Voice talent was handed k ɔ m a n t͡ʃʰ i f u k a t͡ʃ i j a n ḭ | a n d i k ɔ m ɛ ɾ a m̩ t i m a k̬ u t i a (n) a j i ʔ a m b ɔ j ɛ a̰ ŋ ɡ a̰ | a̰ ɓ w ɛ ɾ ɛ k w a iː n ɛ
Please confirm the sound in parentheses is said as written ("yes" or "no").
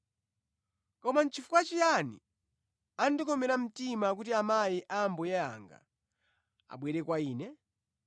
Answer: no